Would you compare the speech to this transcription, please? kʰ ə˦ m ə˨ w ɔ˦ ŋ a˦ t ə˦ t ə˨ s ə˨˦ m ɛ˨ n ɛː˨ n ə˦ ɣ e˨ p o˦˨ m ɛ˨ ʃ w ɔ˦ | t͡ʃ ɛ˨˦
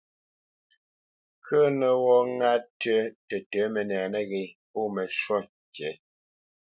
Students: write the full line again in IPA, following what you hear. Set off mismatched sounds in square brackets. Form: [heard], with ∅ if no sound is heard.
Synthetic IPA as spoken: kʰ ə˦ [n] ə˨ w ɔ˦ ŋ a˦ t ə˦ t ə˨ [t] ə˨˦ m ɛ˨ n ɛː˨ n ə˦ ɣ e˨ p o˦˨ m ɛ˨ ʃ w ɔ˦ | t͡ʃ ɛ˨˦